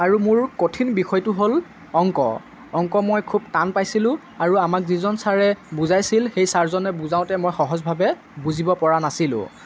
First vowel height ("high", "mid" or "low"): low